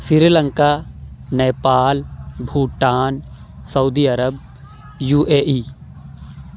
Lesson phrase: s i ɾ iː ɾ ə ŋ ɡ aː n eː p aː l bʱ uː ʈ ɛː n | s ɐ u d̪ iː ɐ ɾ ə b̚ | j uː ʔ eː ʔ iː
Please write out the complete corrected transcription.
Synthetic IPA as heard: s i ɾ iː l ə ŋ k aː n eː p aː l bʱ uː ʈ aː n | s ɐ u d̪ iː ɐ ɾ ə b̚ | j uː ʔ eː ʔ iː